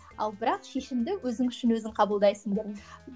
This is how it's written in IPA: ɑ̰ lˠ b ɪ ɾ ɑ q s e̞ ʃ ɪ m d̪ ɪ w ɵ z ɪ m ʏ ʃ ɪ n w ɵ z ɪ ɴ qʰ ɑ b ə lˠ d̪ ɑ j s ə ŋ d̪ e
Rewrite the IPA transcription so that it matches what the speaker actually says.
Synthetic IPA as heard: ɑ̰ lˠ b ɪ ɾ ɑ q ʃ e̞ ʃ ɪ m d̪ ɪ w ɵ z ɪ ŋ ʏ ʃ ɪ n w ɵ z ɪ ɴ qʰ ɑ b ə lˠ d̪ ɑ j s ə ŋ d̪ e

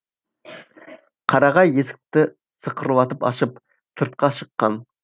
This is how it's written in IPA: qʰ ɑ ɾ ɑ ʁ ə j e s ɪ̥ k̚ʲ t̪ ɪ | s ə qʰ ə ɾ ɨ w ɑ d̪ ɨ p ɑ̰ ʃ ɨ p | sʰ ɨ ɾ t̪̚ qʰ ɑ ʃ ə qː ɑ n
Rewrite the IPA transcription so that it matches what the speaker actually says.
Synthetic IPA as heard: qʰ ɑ ɾ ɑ ʁ ɑ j e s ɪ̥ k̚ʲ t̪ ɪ | s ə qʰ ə ɾ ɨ w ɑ t̪ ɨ p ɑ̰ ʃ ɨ p | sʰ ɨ ɾ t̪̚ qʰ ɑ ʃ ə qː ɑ n

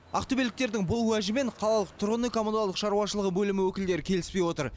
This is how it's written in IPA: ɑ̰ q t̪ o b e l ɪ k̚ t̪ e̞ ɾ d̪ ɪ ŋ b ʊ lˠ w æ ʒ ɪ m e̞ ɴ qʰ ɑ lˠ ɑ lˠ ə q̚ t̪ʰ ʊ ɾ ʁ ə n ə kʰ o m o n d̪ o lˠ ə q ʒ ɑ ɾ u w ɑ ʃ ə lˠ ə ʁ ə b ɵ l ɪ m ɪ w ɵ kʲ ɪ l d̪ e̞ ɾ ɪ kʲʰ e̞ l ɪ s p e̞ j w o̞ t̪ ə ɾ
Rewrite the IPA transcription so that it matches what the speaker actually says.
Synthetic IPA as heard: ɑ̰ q t̪ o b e l ɪ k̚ t̪ e̞ ɾ d̪ ɪ ŋ b ʊ lˠ w æ ʒ ɪ m e̞ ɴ qʰ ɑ lˠ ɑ lˠ ə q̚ t̪ʰ ʊ ɾ ʁ ə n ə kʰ o m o n d̪ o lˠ ə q ʃ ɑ ɾ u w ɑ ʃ ə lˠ ə ʁ ə b ɵ l ɪ m ɪ w ɵ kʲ ɪ l d̪ e̞ ɾ ɪ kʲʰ e̞ l ɪ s p e̞ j w o̞ t̪ ə ɾ

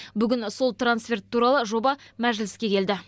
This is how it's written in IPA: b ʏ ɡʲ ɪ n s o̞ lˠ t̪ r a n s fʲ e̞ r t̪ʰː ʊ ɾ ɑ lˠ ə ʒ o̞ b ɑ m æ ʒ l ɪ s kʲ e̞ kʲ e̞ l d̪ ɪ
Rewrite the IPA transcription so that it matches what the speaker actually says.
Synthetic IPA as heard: b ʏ ɡʲ ɪ n s o̞ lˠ t̪ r a n s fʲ e̞ r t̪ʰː u ɾ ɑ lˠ ə ʒ o̞ b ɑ m æ ʒ l ɪ s kʲ e̞ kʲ e̞ l d̪ ɪ

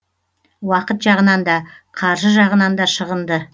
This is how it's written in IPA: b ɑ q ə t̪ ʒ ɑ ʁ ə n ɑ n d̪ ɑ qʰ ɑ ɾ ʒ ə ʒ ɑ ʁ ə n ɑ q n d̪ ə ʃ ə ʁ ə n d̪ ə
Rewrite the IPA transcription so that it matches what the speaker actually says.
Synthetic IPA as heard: w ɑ q ə t̪ ʒ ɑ ʁ ə n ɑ n d̪ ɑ qʰ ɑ ɾ ʒ ə ʒ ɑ ʁ ə n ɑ n d̪ ɑ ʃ ə ʁ ə n d̪ ə

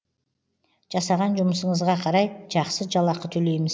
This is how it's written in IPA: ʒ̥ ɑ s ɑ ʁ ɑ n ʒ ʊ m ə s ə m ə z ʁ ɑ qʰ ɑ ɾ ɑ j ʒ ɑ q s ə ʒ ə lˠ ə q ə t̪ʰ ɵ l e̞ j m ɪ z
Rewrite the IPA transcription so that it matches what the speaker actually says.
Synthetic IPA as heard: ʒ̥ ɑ s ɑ ʁ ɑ n ʒ ʊ m ə s ə ɴ ə z ʁ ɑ qʰ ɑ ɾ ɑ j ʒ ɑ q s ə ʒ ɑ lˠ ɑ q ə t̪ʰ ɵ l e̞ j m ɪ z

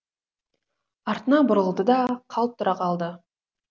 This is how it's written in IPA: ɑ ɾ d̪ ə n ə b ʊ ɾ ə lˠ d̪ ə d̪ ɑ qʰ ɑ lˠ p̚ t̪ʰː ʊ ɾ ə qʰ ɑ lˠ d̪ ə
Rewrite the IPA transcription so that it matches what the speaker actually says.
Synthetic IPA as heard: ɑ ɾ t̪ ə n ɑ b ʊ ɾ ə lˠ d̪ ə d̪ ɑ qʰ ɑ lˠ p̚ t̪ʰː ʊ ɾ ɑ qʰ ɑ lˠ d̪ ə

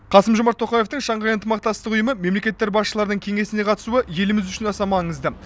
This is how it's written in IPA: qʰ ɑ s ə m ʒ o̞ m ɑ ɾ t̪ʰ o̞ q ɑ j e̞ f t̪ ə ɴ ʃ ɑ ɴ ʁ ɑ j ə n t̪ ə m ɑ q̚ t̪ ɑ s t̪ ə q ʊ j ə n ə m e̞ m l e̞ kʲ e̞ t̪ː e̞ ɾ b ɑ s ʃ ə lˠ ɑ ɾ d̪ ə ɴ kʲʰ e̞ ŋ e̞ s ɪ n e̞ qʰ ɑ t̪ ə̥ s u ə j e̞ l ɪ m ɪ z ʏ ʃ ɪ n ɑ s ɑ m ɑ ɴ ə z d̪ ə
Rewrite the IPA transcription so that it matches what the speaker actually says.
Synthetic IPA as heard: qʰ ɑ s ə m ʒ o̞ m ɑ ɾ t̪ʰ o̞ q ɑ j e̞ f t̪ ə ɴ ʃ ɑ ɴ ʁ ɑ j ə n t̪ ə m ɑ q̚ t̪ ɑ s t̪ ə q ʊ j ə m ə m e̞ m l e̞ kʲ e̞ t̪ː e̞ ɾ b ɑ s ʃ ə lˠ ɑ ɾ d̪ ə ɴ kʲʰ e̞ ŋ e̞ s ɪ n e̞ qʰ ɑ t̪ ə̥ s u ə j e̞ l ɪ m ɪ z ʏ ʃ ɪ n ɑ s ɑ m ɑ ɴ ə z d̪ ə

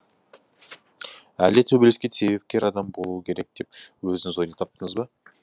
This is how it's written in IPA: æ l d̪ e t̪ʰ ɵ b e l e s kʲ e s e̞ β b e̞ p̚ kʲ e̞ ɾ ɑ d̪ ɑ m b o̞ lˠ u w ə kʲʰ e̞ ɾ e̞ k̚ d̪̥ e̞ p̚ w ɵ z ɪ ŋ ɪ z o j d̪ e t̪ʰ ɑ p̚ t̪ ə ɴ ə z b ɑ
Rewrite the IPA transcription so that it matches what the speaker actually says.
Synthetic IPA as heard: æ l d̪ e t̪ʰ ɵ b e l e s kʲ e s e̞ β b e̞ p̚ kʲ e̞ ɾ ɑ d̪ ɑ m b o̞ lˠ u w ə kʲʰ e̞ ɾ e̞ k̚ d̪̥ e̞ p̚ w ɵ z ɪ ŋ ɪ z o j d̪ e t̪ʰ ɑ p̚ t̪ ə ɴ ə z b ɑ

